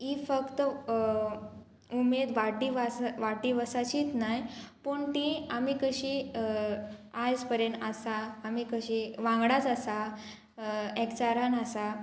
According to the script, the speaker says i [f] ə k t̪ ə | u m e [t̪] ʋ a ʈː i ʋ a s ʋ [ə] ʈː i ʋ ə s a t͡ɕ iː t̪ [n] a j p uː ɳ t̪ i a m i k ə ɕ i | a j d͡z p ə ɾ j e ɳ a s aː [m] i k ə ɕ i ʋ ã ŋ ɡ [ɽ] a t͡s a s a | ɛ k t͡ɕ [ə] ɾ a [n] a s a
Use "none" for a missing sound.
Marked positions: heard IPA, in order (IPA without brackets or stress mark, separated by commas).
f, d̪, a, n, m, ɽ, a, n